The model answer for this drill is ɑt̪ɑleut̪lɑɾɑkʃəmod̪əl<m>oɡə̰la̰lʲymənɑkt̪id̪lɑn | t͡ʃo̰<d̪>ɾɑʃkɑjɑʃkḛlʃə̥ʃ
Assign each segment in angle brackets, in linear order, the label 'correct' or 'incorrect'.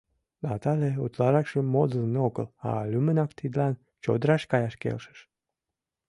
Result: incorrect, correct

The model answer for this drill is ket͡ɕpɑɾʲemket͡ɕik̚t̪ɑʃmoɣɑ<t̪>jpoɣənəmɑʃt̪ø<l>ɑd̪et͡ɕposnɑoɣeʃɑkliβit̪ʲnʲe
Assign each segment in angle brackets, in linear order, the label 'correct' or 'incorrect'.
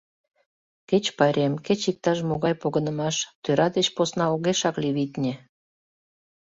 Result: incorrect, incorrect

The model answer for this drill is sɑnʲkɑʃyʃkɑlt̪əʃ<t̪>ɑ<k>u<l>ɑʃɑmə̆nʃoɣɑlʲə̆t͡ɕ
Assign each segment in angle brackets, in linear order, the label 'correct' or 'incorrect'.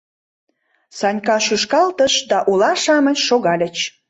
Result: incorrect, incorrect, correct

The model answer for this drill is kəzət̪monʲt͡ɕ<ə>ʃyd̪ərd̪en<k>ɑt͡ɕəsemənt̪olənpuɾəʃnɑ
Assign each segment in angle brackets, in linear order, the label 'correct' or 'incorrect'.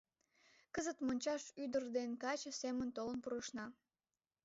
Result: incorrect, correct

